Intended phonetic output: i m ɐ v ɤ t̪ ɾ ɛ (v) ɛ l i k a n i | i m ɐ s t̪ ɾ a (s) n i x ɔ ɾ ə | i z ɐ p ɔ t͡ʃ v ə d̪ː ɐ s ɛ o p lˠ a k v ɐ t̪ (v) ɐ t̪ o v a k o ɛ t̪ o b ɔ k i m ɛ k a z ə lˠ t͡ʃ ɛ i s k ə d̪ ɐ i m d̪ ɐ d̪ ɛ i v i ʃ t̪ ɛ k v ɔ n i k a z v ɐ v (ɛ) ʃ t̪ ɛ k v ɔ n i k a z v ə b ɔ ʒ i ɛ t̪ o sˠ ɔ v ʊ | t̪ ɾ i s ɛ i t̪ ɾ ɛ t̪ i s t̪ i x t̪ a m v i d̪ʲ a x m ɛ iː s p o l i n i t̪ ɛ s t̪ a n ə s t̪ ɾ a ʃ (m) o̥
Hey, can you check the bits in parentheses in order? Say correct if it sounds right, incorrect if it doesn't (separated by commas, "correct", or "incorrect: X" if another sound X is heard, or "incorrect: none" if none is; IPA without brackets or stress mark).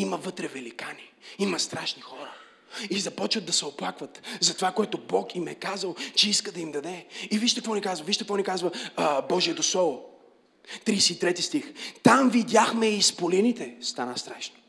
correct, incorrect: ʃ, incorrect: z, incorrect: i, incorrect: n